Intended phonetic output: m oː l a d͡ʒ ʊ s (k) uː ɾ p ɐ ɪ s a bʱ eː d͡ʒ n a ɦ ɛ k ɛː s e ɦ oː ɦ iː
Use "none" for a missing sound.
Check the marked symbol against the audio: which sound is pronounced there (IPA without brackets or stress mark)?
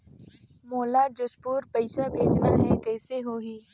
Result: p